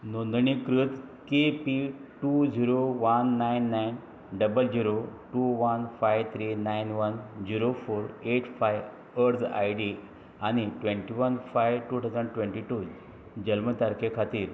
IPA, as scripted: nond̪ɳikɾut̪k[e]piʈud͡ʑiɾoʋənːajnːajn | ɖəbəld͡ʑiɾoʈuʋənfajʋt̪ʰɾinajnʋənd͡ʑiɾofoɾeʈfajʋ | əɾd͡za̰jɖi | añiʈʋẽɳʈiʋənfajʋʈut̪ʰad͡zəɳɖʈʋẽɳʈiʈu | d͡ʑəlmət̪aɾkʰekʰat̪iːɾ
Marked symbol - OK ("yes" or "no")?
yes